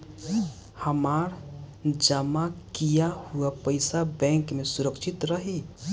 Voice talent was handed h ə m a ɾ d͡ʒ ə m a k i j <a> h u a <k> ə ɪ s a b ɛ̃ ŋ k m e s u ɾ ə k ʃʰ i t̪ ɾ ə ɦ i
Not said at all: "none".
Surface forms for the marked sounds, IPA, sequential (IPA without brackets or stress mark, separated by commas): a, p